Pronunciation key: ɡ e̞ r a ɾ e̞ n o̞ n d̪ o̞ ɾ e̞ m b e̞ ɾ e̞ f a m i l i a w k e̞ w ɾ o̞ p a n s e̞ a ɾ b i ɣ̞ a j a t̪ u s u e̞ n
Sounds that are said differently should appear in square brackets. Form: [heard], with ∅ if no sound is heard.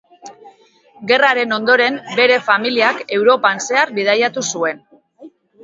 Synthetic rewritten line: ɡ e̞ r a ɾ e̞ n o̞ n d̪ o̞ ɾ e̞ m b e̞ ɾ e̞ f a m i l i a [∅] k e̞ w ɾ o̞ p a n s e̞ a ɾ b i [ð̞] a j a t̪ u s u e̞ n